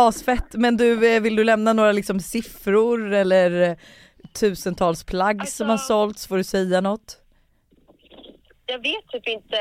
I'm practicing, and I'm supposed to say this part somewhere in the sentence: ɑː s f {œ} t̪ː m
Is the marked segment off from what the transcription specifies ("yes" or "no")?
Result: yes